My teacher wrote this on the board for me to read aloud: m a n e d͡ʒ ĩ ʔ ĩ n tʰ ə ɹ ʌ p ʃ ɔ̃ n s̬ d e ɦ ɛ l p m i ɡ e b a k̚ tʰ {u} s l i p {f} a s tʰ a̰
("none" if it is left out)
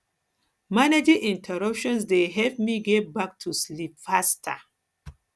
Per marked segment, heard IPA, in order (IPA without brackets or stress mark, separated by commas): u, f